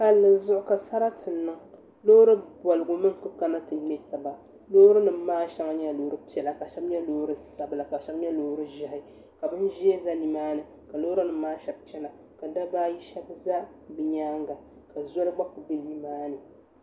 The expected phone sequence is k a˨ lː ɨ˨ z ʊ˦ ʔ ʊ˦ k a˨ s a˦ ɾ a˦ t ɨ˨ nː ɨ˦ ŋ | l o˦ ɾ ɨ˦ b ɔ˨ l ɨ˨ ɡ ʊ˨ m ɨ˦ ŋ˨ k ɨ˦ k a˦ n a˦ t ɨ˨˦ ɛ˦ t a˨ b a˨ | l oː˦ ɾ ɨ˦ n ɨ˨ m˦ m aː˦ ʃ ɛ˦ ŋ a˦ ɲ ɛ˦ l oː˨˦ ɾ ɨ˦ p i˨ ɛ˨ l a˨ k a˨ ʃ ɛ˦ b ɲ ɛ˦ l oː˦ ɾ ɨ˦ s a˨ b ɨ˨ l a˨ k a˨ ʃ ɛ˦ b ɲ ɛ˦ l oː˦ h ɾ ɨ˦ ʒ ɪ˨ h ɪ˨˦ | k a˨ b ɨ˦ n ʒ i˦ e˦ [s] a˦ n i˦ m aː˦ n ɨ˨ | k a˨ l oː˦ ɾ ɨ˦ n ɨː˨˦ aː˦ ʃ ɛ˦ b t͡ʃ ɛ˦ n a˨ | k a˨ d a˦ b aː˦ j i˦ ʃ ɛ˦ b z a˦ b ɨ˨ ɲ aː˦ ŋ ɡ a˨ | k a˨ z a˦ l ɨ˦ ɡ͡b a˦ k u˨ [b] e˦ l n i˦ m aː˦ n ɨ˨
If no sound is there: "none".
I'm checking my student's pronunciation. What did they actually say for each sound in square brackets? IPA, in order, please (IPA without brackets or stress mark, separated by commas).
z, b